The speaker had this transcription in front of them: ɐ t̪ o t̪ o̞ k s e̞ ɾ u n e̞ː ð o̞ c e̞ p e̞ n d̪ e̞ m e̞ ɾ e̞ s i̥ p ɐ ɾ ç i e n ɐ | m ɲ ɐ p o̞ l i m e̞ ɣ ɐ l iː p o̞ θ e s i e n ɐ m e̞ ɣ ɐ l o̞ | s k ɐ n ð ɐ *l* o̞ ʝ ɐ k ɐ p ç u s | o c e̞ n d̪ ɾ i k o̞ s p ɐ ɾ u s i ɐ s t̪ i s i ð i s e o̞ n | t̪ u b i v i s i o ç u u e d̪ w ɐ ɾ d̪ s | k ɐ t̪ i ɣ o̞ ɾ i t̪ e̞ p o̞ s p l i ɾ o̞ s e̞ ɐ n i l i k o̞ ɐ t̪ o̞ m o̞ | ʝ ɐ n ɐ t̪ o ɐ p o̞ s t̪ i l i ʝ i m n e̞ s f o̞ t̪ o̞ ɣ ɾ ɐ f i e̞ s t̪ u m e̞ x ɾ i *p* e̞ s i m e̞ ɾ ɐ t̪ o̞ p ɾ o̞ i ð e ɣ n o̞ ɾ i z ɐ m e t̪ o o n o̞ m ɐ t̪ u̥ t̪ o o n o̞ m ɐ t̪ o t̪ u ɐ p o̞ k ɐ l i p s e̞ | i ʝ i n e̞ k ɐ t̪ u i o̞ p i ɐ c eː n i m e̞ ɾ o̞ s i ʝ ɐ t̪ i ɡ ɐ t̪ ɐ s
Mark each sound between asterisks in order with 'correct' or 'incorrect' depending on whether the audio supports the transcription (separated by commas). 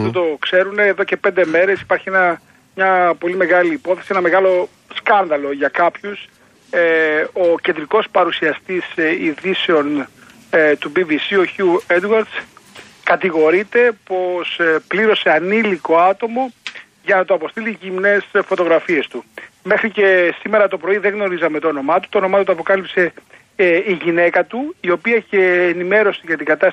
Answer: correct, incorrect